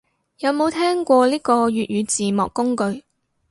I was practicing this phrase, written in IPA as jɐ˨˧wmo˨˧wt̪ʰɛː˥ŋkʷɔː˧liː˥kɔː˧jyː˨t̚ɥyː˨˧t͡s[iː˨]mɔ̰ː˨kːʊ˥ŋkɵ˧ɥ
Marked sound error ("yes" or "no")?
no